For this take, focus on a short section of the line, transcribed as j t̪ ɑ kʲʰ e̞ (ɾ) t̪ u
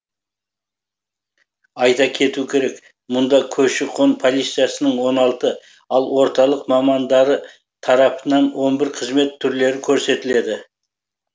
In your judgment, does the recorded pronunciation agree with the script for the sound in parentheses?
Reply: no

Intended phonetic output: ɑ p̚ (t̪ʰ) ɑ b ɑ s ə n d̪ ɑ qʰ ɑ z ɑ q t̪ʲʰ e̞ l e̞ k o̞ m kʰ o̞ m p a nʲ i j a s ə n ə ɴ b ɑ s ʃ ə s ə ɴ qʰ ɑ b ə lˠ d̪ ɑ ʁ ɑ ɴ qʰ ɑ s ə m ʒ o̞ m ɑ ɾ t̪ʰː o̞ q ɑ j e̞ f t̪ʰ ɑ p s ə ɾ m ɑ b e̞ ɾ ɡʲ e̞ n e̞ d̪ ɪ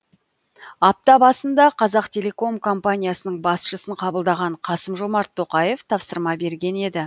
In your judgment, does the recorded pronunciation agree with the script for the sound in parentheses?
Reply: no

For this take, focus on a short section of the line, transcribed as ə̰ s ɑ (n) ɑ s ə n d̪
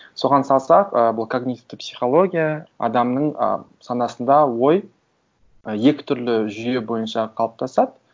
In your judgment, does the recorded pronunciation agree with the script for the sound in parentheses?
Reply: yes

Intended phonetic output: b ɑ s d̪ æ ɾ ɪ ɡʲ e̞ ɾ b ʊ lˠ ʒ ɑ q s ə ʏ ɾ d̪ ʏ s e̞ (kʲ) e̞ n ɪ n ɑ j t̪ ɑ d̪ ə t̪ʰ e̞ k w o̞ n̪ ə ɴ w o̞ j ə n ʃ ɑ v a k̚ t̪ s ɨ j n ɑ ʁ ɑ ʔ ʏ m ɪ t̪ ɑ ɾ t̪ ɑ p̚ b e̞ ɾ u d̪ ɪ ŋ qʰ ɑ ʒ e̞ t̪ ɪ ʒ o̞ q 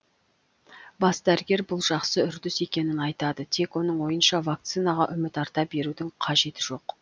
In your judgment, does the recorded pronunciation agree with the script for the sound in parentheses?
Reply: yes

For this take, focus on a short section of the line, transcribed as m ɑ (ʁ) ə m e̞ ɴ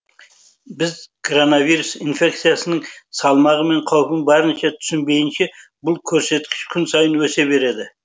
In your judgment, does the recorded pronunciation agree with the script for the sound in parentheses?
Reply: yes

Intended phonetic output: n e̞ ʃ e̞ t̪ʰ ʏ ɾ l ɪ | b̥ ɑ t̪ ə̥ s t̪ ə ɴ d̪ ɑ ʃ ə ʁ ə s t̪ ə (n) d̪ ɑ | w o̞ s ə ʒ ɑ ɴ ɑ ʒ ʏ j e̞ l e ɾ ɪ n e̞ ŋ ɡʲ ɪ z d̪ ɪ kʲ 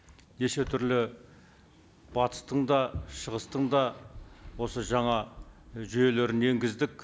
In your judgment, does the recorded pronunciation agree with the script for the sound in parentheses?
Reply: no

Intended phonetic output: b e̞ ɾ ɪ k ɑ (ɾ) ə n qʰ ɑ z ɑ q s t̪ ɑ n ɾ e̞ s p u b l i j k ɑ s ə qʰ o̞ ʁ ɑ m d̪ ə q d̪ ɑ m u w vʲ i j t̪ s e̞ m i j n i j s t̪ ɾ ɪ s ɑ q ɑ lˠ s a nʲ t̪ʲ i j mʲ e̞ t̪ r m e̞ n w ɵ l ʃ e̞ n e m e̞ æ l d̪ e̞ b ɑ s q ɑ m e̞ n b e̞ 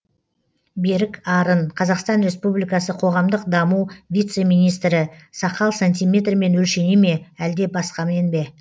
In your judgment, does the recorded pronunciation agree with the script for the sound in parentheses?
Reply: yes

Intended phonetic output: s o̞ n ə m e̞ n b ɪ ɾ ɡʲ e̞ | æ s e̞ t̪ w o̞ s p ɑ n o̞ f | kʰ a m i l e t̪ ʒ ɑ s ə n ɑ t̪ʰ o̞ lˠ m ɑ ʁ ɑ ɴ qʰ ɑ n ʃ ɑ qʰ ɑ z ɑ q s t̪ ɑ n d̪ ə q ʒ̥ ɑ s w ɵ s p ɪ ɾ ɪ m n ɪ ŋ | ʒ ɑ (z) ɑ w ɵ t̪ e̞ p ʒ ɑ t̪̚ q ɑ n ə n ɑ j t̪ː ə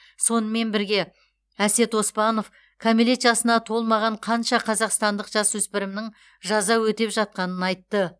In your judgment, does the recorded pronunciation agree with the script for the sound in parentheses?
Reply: yes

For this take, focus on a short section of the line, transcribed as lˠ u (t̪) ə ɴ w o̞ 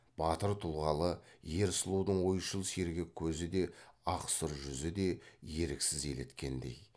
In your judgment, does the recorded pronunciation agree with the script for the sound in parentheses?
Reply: no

